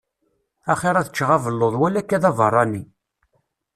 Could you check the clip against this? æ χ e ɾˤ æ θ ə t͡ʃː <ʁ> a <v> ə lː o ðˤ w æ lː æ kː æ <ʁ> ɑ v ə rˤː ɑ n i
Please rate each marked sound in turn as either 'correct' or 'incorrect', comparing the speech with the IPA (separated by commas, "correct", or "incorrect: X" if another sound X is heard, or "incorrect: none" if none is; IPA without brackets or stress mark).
correct, correct, incorrect: ð